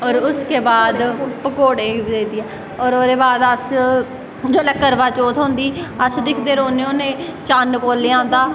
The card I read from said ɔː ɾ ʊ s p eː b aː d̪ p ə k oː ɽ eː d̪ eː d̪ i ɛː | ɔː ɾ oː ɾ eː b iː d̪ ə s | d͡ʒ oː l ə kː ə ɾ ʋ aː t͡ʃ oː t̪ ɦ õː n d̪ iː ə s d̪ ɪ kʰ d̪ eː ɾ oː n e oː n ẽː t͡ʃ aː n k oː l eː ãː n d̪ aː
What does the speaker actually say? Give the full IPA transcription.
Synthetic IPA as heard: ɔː ɾ ʊ s k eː b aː d̪ p ə k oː ɽ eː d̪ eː d̪ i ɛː | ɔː ɾ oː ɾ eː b aː d̪ ə s | d͡ʒ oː l ə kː ə ɾ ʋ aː t͡ʃ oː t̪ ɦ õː n d̪ iː ə s d̪ ɪ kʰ d̪ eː ɾ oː n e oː n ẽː t͡ʃ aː n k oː l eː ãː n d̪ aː